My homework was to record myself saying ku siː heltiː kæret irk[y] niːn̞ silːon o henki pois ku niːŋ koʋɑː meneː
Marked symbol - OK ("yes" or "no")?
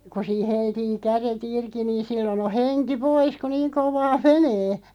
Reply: no